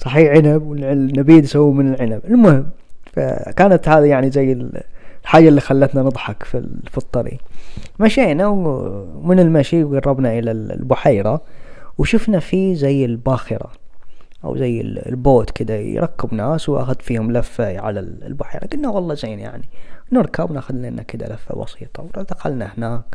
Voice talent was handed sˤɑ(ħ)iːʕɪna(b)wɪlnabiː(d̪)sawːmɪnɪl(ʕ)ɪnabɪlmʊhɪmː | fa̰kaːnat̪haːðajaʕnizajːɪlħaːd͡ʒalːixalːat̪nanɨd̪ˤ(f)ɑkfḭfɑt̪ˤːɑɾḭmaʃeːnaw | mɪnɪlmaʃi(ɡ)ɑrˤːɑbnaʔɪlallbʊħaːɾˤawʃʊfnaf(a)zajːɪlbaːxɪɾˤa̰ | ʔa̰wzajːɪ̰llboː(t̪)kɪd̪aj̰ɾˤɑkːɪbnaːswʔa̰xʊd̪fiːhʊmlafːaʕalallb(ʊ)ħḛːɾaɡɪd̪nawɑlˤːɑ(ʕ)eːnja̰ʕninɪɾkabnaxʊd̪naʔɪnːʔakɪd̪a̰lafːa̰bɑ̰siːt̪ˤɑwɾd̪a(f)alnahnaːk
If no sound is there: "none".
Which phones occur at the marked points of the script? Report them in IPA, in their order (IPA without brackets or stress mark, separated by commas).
ħ, b, d̪, ʕ, ħ, ɡ, i, t̪, ʊ, z, x